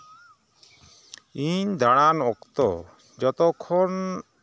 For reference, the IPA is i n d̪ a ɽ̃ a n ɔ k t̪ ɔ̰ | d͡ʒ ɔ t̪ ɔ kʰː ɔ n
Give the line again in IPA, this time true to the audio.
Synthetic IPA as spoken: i ɲ d̪ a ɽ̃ a n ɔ k t̪ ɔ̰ | d͡ʒ ɔ t̪ ɔ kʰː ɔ n